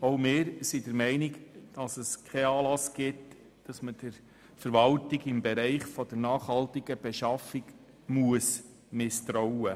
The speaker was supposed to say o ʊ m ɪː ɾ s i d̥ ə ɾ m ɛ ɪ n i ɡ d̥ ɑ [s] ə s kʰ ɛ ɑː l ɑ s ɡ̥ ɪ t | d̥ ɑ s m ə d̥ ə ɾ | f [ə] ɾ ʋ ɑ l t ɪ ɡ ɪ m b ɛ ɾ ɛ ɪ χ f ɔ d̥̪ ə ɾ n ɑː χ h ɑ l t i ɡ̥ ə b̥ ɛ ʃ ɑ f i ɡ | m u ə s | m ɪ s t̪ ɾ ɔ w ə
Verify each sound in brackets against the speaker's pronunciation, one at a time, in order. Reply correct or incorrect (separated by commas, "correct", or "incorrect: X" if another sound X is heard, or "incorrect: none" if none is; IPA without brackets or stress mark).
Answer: correct, correct